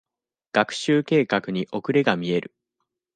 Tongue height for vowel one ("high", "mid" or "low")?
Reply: low